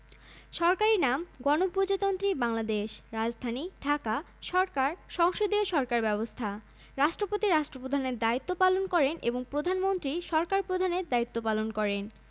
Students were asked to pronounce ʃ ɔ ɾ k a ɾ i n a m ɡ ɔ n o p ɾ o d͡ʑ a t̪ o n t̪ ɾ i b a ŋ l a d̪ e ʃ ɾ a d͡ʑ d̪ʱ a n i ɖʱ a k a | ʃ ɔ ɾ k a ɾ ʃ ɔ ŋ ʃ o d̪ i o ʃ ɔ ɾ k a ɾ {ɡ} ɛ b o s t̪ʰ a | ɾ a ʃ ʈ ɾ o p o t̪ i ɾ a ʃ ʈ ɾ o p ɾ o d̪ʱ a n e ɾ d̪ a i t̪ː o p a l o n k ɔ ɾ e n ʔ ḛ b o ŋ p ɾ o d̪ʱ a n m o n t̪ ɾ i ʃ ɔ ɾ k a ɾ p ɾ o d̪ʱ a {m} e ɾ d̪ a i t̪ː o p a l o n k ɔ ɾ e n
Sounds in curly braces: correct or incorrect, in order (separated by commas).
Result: incorrect, incorrect